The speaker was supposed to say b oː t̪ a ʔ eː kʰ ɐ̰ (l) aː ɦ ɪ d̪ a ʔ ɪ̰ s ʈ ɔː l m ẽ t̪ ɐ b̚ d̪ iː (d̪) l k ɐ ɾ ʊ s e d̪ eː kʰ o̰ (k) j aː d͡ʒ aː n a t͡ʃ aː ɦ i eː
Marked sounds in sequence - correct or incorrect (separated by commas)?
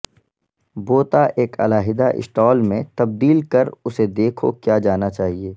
correct, incorrect, correct